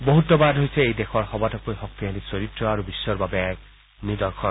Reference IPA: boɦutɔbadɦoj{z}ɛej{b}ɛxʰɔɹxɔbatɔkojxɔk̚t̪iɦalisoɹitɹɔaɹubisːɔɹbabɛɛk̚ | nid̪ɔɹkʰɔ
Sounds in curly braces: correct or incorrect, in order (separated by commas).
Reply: incorrect, incorrect